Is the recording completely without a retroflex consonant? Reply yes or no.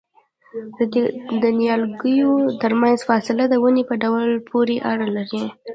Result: no